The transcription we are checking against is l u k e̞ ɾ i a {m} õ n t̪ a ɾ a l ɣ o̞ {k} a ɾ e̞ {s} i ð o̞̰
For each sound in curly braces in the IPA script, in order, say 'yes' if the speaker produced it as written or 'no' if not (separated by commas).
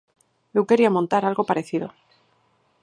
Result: yes, no, no